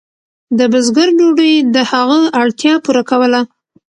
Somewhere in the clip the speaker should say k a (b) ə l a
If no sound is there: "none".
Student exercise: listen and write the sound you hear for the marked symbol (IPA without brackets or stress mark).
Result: w